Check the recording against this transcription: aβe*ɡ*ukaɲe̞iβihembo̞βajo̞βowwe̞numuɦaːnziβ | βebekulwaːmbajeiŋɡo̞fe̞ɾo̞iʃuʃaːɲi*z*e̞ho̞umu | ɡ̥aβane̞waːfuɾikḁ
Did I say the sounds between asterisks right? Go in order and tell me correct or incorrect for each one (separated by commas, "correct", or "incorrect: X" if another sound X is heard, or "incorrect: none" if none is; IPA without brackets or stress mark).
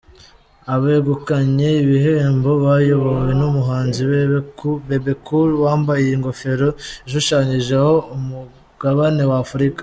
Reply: correct, incorrect: ʒ